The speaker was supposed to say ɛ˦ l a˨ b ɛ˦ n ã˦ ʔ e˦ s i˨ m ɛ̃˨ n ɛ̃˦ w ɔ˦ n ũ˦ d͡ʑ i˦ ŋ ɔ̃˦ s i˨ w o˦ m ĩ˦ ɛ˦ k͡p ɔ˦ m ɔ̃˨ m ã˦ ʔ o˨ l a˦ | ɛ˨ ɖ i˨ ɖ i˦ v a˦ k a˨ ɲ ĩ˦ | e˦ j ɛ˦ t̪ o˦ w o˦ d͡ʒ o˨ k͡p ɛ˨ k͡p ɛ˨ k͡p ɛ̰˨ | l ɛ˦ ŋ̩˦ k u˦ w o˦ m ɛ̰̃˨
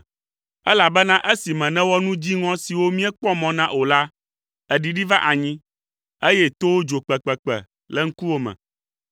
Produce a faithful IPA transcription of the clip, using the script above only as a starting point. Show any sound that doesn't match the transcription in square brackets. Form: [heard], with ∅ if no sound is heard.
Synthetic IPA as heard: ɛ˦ l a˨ b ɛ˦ n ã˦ ʔ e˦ s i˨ m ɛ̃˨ n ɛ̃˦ w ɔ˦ n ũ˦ d͡ʑ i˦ ŋ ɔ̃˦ s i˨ w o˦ m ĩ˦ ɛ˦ k͡p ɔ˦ m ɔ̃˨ [n] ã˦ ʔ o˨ l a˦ | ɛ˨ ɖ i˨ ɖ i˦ v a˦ [ʔ] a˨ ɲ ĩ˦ | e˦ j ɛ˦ t̪ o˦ w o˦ d͡ʒ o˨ k͡p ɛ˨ k͡p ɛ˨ k͡p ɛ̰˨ | l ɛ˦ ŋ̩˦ k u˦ w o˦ m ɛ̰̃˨